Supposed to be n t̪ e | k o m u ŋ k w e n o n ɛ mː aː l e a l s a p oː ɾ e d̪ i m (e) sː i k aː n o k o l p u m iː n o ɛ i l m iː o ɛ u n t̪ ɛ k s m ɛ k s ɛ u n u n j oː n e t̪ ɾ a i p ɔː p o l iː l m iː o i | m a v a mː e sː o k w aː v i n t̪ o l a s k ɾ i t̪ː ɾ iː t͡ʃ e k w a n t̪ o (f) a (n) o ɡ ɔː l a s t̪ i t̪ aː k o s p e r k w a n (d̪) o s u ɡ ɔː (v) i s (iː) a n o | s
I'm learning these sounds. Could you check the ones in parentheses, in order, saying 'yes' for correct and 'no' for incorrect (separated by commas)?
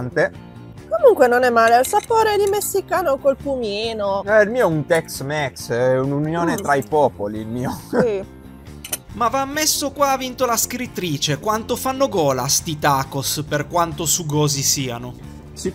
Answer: yes, yes, no, no, no, yes